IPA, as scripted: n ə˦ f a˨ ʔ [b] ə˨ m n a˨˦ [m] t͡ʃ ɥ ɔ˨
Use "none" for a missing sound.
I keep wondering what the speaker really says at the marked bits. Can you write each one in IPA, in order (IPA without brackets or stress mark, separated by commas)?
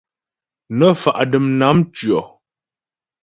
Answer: d, m